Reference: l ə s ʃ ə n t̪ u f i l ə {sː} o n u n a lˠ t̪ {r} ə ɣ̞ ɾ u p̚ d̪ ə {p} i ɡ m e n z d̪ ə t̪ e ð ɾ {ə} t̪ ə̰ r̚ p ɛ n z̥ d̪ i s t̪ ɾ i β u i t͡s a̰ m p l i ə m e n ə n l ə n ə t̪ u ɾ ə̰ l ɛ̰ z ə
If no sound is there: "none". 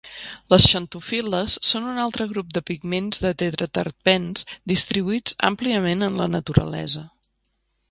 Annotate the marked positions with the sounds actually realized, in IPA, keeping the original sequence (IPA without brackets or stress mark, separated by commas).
sː, ɾ, p, ə